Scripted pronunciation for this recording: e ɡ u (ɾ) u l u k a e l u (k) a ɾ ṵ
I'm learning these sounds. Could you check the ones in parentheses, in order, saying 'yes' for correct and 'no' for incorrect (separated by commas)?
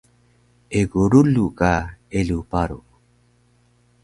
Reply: yes, no